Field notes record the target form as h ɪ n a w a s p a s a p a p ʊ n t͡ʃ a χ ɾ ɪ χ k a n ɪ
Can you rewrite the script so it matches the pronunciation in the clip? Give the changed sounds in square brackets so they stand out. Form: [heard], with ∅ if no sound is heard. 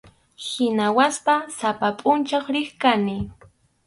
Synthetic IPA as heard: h ɪ n a w a s p a s a p a [pʼ] ʊ n t͡ʃ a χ ɾ ɪ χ k a n ɪ

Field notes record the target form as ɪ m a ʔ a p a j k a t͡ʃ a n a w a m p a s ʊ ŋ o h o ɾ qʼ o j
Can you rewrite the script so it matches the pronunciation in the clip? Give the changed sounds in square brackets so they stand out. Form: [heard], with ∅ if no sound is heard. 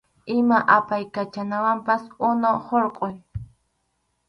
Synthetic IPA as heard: ɪ m a ʔ a p a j k a t͡ʃ a n a w a m p a s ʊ [n] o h o ɾ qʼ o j

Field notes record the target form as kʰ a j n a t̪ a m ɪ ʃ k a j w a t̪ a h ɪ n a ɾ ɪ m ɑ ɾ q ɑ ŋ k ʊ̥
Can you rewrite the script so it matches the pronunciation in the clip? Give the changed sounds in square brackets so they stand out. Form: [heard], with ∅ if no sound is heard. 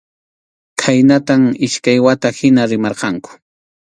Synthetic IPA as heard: kʰ a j n a t̪ a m ɪ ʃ k a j w a t̪ a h ɪ n a ɾ ɪ m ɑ ɾ q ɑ ŋ k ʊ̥

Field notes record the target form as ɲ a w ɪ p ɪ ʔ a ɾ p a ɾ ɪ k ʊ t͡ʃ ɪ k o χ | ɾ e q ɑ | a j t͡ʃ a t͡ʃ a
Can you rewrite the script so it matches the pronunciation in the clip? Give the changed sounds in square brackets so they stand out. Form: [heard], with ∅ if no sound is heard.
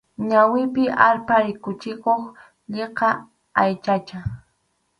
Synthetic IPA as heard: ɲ a w ɪ p ɪ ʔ a ɾ p a ɾ ɪ k ʊ t͡ʃ ɪ k o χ | [ʎ] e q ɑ | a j t͡ʃ a t͡ʃ a

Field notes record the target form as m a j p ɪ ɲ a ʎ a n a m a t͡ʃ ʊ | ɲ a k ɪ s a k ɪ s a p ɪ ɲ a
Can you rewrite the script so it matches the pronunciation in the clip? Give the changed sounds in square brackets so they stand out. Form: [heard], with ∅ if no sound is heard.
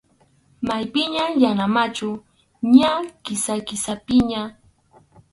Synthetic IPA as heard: m a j p ɪ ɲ a [j] a n a m a t͡ʃ ʊ | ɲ a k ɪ s a k ɪ s a p ɪ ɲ a

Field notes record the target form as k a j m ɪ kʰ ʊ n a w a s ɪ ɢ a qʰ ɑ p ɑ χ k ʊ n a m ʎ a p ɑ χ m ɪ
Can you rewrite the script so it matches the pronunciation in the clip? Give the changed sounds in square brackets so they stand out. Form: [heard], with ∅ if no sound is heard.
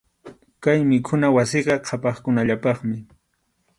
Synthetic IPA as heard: k a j m ɪ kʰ ʊ n a w a s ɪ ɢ [ɑ] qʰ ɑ p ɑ χ k ʊ n a [∅] ʎ a p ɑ χ m ɪ

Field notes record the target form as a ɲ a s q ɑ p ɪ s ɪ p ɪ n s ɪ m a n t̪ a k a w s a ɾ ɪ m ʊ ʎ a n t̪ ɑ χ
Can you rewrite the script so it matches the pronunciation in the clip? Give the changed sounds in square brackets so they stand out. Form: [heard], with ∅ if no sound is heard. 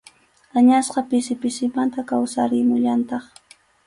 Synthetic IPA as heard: a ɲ a s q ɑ p ɪ s ɪ p ɪ [∅] s ɪ m a n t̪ a k a w s a ɾ ɪ m ʊ ʎ a n t̪ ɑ χ

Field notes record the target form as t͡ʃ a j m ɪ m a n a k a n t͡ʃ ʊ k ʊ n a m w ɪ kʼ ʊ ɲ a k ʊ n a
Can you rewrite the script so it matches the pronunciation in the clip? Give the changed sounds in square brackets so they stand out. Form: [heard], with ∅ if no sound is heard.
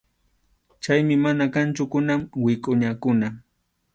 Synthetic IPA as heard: t͡ʃ a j m ɪ m a n a k a n t͡ʃ ʊ k ʊ n a m w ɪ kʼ ʊ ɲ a k ʊ n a

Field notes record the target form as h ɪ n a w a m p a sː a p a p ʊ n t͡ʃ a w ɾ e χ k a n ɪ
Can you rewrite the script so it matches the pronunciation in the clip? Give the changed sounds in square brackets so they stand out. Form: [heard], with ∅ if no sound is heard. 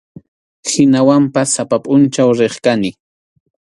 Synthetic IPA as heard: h ɪ n a w a m p a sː a p a [pʼ] ʊ n t͡ʃ a w ɾ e χ k a n ɪ

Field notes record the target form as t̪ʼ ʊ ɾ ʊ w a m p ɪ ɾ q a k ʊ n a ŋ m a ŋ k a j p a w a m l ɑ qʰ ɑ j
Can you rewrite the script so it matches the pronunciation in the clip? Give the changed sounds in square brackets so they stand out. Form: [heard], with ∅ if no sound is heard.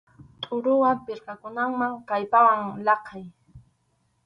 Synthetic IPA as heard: t̪ʼ ʊ ɾ ʊ w a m p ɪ ɾ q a k ʊ n a ŋ m a ŋ k a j p a w a [ŋ] l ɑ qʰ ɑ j

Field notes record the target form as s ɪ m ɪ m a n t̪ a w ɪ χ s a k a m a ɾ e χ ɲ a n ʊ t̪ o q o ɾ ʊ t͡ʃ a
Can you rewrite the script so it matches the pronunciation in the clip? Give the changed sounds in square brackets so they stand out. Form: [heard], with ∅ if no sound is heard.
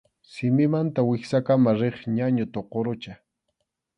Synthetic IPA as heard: s ɪ m ɪ m a n t̪ a w ɪ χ s a k a m a ɾ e χ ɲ a [ɲ] ʊ t̪ o q o ɾ ʊ t͡ʃ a

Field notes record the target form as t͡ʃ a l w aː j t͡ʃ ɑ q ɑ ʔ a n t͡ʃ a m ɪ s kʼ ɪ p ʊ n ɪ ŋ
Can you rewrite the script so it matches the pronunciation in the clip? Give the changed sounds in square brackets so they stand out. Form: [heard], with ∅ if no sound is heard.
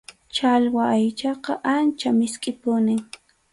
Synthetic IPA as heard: t͡ʃ a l w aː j t͡ʃ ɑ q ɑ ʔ a n t͡ʃ a m ɪ s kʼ ɪ p ʊ n ɪ ŋ

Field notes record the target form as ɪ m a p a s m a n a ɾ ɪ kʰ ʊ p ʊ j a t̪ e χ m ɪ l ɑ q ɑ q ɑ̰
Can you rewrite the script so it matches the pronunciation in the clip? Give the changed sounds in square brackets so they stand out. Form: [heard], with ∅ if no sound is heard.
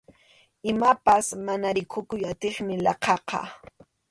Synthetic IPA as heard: ɪ m a p a s m a n a ɾ ɪ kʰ ʊ [k] ʊ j a t̪ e χ m ɪ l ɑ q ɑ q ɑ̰

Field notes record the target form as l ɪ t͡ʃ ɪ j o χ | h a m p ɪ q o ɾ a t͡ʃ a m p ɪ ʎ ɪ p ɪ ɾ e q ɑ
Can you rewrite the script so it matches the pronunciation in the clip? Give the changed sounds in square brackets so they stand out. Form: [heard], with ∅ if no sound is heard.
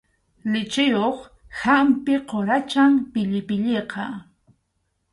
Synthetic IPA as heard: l ɪ t͡ʃ ɪ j o χ | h a m p ɪ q o ɾ a t͡ʃ a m p ɪ ʎ ɪ p ɪ [ʎ] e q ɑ

